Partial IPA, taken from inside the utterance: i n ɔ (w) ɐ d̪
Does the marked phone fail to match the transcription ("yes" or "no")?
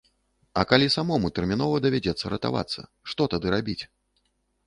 yes